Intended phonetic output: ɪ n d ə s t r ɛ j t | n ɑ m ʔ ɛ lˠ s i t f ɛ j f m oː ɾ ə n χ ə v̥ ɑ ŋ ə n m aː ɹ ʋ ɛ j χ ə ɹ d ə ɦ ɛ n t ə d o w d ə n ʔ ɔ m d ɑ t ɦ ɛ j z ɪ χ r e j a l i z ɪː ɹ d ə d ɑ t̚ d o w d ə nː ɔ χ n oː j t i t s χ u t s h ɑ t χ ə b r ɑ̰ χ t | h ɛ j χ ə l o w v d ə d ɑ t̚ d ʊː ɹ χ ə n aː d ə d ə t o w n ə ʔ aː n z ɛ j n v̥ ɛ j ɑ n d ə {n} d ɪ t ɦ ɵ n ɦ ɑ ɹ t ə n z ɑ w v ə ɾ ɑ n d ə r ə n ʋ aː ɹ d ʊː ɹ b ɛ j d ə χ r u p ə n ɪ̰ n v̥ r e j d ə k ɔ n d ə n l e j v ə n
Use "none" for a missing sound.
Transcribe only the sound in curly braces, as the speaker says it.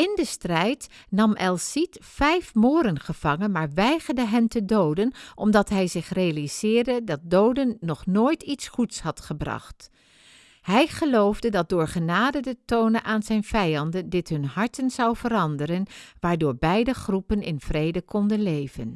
n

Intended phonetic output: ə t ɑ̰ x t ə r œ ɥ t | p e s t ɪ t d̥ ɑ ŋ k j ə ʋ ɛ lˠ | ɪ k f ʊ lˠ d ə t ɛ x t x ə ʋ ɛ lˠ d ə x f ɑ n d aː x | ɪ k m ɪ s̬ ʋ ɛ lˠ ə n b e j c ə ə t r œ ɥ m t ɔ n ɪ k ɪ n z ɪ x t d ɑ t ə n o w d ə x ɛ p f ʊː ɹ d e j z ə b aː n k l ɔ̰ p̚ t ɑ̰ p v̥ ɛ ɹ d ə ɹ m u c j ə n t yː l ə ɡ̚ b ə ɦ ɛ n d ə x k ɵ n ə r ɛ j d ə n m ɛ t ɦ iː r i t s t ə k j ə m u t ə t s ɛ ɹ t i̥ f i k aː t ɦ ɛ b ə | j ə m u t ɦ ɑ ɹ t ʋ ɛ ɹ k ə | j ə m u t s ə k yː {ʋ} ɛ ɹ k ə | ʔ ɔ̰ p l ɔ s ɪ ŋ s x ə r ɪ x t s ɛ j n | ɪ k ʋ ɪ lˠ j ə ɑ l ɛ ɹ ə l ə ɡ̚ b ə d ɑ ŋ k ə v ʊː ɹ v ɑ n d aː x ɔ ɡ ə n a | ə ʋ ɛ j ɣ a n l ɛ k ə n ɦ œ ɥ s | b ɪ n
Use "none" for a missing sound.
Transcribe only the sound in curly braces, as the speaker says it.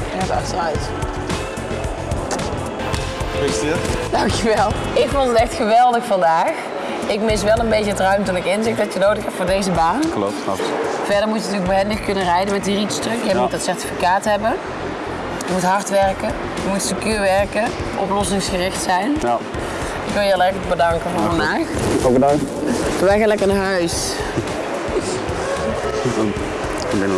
ʋ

